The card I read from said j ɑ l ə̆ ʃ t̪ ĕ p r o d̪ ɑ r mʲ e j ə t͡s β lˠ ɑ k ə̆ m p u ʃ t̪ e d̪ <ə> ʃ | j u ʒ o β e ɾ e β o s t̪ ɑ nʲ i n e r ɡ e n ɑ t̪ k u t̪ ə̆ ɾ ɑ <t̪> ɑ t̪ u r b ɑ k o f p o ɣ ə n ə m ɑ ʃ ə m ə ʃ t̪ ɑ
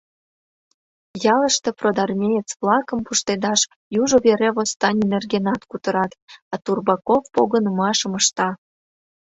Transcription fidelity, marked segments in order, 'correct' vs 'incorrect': incorrect: ɑ, correct

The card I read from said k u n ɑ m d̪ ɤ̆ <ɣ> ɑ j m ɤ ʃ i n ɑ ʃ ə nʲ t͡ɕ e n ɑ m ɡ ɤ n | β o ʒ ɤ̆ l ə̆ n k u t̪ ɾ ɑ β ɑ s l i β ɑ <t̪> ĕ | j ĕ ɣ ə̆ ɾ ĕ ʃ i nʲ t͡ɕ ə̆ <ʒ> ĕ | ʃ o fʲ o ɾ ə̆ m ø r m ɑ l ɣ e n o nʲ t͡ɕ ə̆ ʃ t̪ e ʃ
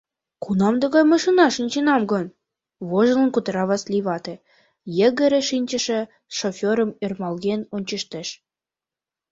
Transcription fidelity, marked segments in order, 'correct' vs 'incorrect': correct, correct, incorrect: ʃ

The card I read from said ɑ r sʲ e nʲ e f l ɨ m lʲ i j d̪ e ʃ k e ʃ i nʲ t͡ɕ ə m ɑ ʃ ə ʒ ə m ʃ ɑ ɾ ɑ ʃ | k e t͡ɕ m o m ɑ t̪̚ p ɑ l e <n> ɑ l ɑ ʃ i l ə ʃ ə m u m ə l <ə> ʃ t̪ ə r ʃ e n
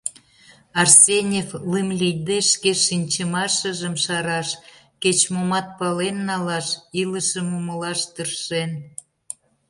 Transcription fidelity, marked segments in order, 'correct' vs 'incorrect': incorrect: nː, incorrect: ɑ

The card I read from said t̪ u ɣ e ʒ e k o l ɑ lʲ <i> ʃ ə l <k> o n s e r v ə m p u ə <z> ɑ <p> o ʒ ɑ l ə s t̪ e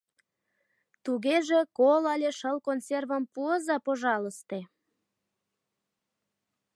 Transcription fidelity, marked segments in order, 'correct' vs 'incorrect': incorrect: e, correct, correct, correct

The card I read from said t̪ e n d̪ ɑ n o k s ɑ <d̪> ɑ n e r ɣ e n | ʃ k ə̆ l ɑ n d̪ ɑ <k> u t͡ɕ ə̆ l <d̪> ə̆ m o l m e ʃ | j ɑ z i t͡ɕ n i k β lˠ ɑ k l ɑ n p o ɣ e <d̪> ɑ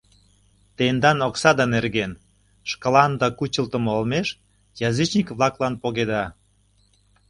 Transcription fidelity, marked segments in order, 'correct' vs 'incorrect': correct, correct, incorrect: t̪, correct

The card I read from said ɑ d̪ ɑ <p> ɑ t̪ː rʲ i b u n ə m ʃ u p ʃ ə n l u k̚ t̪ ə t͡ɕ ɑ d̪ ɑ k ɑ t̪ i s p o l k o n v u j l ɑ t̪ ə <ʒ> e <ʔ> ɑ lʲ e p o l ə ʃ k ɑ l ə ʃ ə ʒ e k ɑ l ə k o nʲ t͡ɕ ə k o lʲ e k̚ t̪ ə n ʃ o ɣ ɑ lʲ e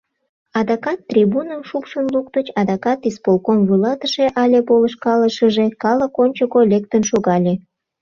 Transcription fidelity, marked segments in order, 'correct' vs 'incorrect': incorrect: k, incorrect: ʃ, correct

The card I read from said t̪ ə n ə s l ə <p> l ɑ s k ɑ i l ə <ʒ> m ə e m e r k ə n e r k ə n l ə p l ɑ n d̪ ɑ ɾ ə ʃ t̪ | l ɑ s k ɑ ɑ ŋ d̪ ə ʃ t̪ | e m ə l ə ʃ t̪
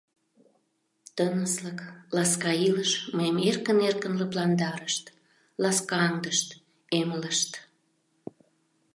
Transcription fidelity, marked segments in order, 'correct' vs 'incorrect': incorrect: k, incorrect: ʃ

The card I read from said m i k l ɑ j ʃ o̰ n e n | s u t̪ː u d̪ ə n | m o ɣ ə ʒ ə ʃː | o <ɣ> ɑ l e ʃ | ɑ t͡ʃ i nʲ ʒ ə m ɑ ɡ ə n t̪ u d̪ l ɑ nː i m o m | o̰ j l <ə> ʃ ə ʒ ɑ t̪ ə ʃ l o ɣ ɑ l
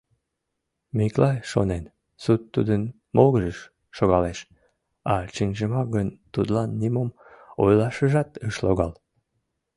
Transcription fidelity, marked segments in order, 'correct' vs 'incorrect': correct, incorrect: ɑ

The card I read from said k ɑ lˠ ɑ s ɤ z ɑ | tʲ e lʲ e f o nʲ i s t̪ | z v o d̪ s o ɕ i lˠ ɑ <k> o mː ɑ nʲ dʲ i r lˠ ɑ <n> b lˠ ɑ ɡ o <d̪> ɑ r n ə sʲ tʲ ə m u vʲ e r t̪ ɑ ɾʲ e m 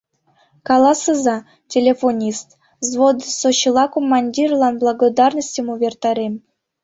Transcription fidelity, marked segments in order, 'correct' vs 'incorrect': correct, correct, correct

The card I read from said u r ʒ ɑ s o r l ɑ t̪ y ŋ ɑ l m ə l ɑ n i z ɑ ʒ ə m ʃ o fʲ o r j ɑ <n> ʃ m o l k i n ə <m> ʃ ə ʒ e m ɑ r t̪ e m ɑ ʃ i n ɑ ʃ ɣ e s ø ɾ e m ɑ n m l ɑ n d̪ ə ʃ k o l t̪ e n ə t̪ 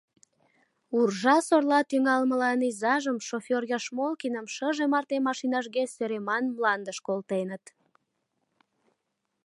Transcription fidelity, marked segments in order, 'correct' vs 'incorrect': incorrect: none, correct

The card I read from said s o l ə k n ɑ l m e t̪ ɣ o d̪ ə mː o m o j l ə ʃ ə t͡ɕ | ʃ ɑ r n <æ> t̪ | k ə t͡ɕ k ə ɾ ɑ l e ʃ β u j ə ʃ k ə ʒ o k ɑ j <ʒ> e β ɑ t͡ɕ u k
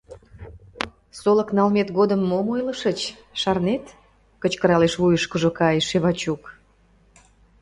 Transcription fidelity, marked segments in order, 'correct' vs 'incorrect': incorrect: e, incorrect: ʃ

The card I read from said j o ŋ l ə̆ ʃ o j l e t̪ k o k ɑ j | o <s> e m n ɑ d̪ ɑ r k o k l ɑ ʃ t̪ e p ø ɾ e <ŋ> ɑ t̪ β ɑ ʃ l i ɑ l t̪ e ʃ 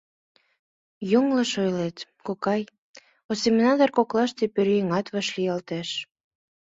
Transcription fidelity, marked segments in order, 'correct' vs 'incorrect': correct, correct

